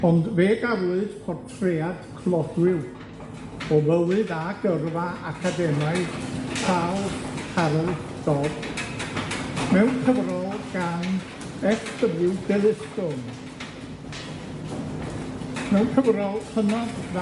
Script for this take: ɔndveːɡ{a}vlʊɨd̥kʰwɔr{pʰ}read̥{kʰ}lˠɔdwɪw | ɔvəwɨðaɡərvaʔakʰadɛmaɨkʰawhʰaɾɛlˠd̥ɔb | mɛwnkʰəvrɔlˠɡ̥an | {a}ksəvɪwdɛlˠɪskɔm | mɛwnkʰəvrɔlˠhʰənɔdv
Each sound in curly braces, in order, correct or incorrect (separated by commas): correct, incorrect, correct, incorrect